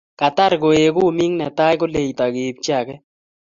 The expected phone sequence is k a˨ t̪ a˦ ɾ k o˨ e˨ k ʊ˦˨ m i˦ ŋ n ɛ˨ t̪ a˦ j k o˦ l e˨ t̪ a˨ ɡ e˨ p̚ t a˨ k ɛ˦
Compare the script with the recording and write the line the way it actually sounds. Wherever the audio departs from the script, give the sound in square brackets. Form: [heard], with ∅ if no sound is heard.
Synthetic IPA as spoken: k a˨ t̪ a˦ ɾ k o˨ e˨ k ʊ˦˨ m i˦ ŋ n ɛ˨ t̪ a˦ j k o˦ l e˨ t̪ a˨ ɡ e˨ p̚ [t͡ʃ] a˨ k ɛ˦